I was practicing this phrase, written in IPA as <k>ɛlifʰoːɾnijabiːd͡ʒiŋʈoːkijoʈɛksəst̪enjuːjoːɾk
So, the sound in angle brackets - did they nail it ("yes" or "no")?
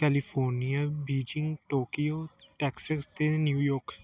yes